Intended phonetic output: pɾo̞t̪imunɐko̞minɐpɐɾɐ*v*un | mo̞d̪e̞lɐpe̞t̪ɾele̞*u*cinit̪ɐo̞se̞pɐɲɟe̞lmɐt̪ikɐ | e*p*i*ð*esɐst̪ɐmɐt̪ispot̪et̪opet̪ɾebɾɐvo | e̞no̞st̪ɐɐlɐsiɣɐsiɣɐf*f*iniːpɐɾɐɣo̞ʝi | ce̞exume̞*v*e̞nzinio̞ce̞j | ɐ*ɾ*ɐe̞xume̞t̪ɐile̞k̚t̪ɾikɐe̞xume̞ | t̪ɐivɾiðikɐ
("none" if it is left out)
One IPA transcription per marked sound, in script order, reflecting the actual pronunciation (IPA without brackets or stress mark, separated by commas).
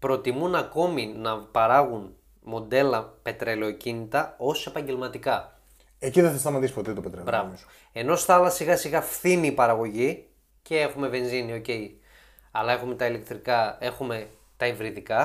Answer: ɣ, o, c, ð, θ, v, l